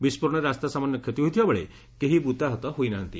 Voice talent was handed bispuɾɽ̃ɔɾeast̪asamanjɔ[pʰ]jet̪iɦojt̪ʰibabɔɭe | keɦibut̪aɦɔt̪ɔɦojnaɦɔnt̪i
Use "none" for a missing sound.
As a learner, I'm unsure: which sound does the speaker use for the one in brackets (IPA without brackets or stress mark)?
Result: kʰ